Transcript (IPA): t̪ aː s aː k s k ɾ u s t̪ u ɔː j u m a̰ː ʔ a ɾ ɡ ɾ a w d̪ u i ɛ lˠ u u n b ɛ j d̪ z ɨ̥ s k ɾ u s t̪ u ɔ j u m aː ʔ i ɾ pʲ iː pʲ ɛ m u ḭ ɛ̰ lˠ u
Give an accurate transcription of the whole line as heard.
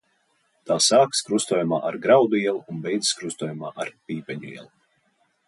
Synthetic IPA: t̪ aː s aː k s k ɾ u s t̪ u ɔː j u m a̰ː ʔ a ɾ ɡ ɾ a w d̪ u i ɛ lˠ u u n b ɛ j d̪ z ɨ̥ s k ɾ u s t̪ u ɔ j u m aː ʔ a ɾ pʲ iː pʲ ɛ ɲ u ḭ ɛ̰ lˠ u